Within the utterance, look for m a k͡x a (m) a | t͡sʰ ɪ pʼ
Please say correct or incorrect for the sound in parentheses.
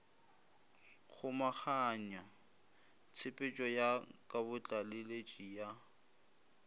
incorrect